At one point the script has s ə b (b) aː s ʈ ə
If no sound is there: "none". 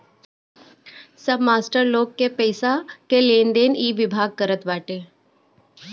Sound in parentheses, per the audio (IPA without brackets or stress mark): m